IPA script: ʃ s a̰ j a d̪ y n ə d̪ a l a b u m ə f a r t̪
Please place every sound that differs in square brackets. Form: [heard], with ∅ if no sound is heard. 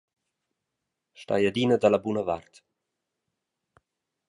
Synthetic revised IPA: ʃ [t] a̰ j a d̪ [i] n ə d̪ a l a b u [n] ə [v] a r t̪

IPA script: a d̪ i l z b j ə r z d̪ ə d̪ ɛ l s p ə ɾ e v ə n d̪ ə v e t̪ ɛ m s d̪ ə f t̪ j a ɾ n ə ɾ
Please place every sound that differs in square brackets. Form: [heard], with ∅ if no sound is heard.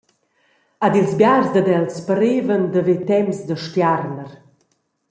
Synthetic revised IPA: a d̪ i l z b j [a] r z d̪ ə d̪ ɛ l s p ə ɾ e v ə n d̪ ə v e t̪ ɛ m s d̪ ə [ʃ] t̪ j a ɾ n ə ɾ

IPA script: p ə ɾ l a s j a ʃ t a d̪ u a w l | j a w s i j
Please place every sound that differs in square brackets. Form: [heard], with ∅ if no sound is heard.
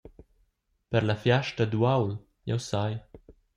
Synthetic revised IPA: p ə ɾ l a [f] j a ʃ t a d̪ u a w l | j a w s [a] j

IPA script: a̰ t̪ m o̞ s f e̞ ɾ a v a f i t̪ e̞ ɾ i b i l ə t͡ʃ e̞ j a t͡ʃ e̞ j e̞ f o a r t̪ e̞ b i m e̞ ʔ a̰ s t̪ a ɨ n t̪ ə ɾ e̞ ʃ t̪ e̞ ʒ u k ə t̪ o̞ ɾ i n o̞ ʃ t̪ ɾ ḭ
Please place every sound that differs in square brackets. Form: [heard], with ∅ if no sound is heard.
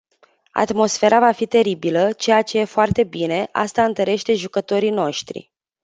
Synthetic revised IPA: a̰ t̪ m o̞ s f e̞ ɾ a v a f i t̪ e̞ ɾ i b i l ə t͡ʃ e̞ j a t͡ʃ e̞ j e̞ f o a r t̪ e̞ b i [n] e̞ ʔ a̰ s t̪ a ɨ n t̪ ə ɾ e̞ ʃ t̪ e̞ ʒ u k ə t̪ o̞ ɾ i n o̞ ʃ t̪ ɾ ḭ

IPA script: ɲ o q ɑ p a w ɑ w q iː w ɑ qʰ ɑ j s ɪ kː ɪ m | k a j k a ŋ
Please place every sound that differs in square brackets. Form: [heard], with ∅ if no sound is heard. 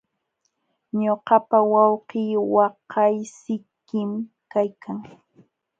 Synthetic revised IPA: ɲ o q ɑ p a w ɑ w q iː w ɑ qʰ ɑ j s ɪ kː ɪ m | k a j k a ŋ

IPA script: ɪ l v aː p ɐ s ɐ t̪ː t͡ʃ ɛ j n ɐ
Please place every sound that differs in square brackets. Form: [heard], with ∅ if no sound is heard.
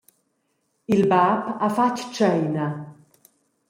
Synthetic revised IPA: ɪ l [b] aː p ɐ [f] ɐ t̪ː t͡ʃ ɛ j n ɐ

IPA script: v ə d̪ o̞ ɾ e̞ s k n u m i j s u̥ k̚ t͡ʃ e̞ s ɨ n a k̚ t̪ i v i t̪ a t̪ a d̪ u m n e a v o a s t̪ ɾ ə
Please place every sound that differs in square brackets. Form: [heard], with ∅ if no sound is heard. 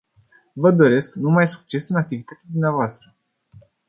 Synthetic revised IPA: v ə d̪ o̞ ɾ e̞ s k n u m [a] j s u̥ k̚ t͡ʃ e̞ s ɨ n a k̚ t̪ i v i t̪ a t̪ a d̪ u m n e a v o a s t̪ ɾ ə

